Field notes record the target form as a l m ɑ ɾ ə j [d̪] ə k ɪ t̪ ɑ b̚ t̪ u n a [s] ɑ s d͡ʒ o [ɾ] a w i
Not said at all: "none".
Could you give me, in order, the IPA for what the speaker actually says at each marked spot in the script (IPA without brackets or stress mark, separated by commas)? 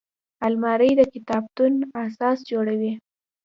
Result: d̪, s, ɽ